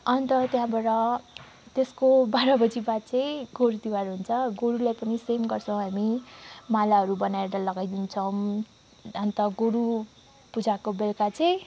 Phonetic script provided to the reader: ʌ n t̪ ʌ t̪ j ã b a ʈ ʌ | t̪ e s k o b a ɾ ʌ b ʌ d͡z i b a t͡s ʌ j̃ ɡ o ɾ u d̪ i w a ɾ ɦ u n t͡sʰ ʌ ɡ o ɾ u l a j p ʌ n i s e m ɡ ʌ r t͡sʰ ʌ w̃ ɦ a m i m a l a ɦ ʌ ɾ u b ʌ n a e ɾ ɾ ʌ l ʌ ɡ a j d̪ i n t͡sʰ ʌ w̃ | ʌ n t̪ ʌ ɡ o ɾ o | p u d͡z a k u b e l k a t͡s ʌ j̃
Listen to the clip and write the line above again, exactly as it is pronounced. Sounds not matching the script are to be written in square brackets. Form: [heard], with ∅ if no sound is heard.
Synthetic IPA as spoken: ʌ n t̪ ʌ t̪ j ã b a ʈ ʌ | t̪ e s k o b a ɾ ʌ b ʌ d͡z i b a t͡s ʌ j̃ ɡ o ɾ u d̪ i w a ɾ ɦ u n t͡sʰ ʌ ɡ o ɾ u l a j p ʌ n i s e m ɡ ʌ r t͡sʰ ʌ w̃ ɦ a m i m a l a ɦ ʌ ɾ u b ʌ n a e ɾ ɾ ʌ l ʌ ɡ a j d̪ i n t͡sʰ ʌ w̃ | ʌ n t̪ ʌ ɡ o ɾ [u] | p u d͡z a k [o] b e l k a t͡s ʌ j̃